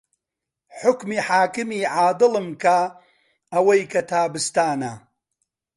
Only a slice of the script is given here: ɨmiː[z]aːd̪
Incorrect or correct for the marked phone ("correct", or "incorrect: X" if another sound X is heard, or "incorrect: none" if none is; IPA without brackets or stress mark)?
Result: incorrect: ʕ